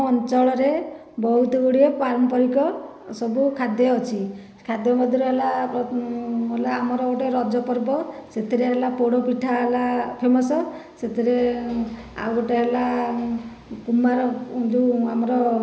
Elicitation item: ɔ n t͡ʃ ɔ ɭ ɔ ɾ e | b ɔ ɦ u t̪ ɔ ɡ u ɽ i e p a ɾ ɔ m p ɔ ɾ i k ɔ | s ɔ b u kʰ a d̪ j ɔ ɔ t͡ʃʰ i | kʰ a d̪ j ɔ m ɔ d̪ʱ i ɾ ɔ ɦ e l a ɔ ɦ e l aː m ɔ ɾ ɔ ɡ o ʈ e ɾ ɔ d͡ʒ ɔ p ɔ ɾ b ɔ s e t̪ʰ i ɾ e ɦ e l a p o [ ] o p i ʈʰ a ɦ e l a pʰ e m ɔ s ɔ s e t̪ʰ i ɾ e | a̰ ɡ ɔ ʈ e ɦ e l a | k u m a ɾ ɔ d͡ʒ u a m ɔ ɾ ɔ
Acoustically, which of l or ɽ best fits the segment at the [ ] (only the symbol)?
ɽ